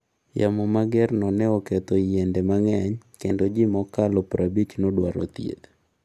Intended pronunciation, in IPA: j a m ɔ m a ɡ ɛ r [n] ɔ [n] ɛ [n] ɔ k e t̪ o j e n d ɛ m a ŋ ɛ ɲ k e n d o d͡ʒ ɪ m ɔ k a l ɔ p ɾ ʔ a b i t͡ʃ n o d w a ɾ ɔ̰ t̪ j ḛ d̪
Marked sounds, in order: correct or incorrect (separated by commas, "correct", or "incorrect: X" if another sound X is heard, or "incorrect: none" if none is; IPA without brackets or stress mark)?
correct, correct, incorrect: none